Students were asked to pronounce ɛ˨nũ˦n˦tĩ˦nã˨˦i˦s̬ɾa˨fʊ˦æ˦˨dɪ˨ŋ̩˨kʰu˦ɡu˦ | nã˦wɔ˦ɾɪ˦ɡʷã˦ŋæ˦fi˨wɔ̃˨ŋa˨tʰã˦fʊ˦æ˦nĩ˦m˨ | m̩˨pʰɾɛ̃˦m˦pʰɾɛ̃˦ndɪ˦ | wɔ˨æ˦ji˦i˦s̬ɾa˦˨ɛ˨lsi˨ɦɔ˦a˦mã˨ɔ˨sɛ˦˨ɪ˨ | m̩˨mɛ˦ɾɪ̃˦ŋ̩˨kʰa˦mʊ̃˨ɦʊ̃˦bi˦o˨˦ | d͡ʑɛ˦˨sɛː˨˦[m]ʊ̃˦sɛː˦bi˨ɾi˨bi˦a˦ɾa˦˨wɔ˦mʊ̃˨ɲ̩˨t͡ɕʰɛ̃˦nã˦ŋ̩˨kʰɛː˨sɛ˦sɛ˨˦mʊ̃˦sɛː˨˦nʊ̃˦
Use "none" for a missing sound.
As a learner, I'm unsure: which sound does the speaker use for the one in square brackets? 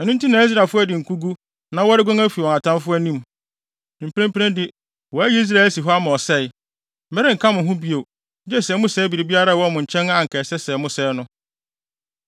m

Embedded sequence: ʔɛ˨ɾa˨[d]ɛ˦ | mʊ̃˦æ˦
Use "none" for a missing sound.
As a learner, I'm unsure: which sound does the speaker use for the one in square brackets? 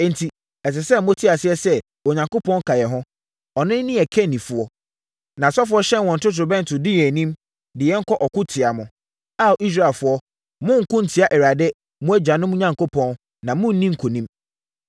d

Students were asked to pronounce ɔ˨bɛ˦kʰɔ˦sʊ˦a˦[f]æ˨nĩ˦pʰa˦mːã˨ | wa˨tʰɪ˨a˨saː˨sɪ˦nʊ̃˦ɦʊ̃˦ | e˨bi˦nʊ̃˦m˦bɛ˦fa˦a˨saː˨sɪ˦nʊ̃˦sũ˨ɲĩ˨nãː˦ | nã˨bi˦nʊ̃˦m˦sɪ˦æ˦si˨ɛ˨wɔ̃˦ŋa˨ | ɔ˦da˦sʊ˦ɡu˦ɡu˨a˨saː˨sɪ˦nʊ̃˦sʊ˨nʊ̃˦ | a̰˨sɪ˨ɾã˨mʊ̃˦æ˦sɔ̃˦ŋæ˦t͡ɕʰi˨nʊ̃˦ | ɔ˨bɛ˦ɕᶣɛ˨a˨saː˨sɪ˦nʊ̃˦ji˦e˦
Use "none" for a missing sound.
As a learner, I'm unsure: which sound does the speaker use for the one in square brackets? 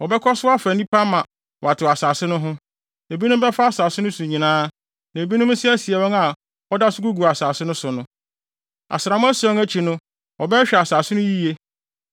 f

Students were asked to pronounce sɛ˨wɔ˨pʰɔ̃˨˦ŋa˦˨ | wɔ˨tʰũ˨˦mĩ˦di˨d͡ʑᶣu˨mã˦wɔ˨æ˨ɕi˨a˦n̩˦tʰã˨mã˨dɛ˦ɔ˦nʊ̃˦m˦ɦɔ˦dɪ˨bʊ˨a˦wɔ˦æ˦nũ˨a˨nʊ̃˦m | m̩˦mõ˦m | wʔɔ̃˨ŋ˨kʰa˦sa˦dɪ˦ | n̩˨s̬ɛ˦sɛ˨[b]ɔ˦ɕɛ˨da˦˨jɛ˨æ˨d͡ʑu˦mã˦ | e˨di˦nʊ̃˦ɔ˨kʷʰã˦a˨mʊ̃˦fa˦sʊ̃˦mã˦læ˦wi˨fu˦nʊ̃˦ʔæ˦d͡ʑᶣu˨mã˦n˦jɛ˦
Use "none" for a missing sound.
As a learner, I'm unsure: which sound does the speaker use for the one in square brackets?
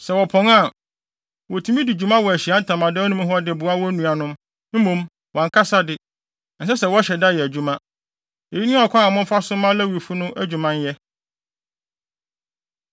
w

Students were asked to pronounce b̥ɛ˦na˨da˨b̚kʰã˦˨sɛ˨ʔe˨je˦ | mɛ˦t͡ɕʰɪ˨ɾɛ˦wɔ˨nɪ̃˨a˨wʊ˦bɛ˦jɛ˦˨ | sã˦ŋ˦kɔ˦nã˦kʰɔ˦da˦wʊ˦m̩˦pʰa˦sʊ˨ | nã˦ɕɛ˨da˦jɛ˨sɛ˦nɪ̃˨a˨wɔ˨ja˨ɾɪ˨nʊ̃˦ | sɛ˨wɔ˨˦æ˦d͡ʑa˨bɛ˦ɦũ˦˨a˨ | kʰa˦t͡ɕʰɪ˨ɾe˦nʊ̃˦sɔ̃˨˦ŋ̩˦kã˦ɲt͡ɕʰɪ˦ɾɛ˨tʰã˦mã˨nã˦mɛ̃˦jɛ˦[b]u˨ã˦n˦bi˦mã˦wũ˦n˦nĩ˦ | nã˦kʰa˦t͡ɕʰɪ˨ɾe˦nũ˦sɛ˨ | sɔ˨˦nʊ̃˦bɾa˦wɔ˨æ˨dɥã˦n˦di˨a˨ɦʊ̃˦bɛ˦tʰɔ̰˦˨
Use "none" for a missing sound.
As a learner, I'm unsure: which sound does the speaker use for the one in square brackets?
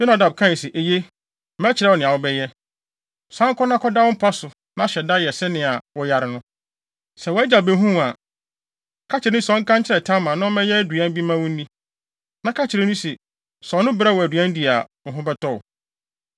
d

